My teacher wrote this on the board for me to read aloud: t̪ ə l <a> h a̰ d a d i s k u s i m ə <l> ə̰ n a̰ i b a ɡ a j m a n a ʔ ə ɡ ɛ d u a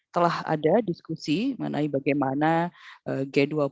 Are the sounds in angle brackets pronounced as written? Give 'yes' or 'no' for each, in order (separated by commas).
yes, no